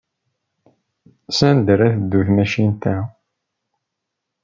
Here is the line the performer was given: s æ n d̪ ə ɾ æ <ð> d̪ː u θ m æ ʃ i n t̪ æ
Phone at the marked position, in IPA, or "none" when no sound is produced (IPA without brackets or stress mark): θ